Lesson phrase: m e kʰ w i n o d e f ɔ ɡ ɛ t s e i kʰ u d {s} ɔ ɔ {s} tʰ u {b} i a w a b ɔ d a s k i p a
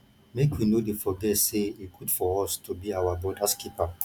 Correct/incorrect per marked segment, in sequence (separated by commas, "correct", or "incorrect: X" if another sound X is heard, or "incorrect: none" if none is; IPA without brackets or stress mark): incorrect: f, correct, correct